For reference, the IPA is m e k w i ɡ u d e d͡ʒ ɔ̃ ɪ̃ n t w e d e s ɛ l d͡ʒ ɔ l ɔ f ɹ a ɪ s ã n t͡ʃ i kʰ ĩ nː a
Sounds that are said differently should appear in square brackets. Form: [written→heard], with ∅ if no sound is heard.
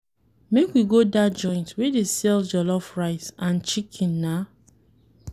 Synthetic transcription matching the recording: m e k w i ɡ [u→o] d [e→a] d͡ʒ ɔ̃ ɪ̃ n t w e d e s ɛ l d͡ʒ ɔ l ɔ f ɹ a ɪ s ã n t͡ʃ i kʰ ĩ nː a